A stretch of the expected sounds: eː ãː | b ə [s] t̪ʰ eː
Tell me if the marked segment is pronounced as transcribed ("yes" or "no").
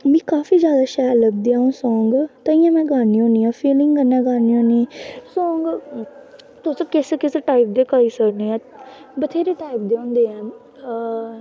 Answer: no